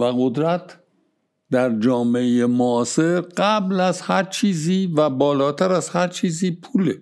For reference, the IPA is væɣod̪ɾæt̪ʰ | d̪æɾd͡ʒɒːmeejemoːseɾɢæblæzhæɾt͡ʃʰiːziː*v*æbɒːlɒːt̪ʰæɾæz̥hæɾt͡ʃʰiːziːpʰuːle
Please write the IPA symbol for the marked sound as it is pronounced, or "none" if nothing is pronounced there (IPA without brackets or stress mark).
v